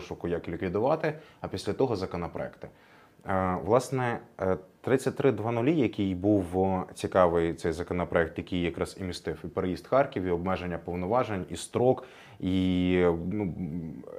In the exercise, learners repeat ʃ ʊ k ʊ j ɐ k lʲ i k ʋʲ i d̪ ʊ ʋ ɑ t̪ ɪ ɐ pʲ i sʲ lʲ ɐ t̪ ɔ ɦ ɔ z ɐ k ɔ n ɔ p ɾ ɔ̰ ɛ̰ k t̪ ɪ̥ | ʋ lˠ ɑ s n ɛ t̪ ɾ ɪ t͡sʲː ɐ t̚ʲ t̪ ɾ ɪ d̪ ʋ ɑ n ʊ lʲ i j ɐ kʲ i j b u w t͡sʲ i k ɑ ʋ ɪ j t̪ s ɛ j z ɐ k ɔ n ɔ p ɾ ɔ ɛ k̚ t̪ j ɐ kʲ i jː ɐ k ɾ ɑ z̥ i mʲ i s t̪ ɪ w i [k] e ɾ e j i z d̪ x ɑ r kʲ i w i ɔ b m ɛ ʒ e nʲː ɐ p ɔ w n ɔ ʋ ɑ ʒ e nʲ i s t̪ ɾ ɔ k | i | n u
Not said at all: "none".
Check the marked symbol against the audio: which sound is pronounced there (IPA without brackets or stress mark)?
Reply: p